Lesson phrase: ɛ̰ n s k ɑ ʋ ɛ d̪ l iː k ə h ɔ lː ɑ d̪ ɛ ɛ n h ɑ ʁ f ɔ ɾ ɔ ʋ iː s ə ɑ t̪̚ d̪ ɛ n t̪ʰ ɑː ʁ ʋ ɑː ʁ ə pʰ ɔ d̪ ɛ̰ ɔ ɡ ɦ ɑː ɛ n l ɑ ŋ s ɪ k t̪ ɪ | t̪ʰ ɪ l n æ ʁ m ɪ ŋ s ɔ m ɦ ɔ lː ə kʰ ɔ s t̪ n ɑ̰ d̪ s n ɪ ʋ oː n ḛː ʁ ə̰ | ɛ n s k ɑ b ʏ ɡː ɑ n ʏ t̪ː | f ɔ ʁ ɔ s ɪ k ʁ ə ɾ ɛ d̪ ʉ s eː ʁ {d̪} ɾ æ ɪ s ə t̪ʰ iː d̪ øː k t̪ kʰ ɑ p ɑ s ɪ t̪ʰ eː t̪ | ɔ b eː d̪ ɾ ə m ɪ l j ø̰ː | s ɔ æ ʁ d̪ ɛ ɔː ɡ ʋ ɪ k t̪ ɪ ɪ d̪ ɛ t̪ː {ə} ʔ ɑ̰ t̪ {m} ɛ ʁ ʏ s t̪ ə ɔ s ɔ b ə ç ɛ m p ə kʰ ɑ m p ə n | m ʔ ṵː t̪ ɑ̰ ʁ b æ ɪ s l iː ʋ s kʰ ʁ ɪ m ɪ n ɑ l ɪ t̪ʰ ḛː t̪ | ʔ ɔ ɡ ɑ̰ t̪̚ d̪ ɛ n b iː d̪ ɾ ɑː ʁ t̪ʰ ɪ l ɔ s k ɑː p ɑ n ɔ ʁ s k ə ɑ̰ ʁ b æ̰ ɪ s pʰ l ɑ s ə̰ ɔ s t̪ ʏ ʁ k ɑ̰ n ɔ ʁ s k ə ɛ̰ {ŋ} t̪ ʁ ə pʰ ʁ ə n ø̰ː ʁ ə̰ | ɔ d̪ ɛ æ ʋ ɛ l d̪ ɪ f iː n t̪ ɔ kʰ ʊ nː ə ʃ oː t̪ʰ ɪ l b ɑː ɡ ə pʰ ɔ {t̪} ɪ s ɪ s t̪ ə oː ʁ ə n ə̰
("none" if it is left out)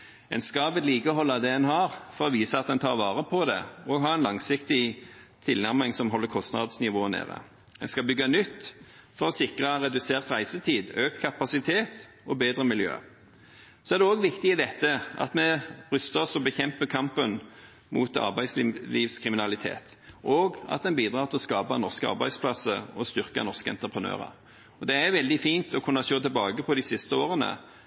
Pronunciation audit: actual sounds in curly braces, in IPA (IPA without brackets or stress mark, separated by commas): t̪, ə, m, n, d̪